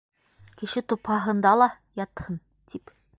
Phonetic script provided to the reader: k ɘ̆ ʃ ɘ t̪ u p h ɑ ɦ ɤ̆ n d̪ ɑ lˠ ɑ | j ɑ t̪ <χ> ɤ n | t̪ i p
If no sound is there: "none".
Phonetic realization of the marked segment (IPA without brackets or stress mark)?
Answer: h